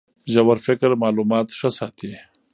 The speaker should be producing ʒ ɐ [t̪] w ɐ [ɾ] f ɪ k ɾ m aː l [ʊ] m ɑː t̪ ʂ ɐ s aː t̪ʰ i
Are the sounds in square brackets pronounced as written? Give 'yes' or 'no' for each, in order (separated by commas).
no, yes, no